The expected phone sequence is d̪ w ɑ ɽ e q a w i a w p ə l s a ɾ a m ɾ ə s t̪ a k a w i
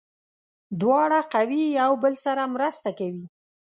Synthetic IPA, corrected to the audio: d̪ w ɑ ɽ a q a w i a w b ə l s a ɾ a m ɾ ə s t̪ a k a w i